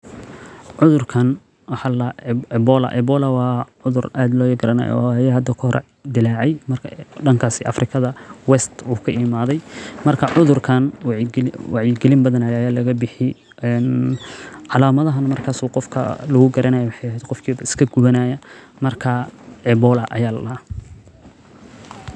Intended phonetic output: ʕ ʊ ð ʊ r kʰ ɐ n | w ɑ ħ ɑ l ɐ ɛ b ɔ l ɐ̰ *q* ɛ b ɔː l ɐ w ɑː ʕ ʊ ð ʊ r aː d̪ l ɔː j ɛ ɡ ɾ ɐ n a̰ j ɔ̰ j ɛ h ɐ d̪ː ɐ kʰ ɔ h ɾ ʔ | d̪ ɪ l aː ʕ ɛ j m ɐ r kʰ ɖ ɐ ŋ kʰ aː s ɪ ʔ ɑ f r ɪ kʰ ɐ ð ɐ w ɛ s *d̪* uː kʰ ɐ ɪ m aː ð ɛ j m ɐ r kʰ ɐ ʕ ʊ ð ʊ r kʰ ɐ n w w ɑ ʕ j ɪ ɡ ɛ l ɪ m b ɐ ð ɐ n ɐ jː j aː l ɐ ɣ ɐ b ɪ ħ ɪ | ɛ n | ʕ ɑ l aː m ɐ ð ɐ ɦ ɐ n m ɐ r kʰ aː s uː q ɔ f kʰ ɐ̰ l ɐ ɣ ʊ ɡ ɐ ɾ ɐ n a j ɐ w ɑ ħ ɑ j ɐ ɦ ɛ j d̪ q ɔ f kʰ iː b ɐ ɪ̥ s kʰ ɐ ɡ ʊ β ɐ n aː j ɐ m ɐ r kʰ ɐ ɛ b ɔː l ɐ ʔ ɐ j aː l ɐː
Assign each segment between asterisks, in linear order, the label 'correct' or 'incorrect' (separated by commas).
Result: incorrect, incorrect